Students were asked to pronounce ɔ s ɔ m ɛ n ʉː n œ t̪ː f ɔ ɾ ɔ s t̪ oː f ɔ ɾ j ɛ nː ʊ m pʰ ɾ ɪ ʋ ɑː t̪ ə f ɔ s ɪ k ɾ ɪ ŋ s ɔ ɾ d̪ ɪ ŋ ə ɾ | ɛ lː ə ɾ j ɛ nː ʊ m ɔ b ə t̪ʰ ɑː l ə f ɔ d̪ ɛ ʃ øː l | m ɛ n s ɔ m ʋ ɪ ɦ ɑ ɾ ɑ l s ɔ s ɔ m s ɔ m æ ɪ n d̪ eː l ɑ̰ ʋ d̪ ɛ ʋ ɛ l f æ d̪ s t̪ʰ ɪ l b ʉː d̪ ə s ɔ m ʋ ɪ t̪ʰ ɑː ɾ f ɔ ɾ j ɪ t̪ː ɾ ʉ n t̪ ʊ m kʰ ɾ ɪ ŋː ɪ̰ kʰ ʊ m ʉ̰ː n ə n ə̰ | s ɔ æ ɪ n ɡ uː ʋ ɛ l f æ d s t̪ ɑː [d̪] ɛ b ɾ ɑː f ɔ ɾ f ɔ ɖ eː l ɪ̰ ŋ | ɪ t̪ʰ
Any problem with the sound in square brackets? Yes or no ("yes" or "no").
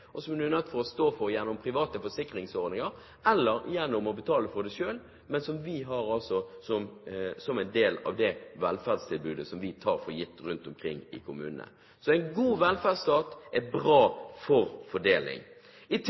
yes